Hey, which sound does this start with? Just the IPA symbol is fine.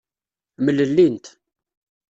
m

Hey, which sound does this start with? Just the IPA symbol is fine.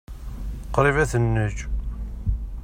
q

